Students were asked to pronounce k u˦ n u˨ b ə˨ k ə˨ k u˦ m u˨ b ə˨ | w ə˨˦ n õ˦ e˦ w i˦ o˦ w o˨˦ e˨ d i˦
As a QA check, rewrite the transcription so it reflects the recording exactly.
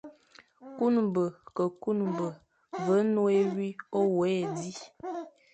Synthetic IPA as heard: k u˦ n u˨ b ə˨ k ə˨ k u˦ n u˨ b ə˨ | v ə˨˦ n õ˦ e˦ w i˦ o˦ w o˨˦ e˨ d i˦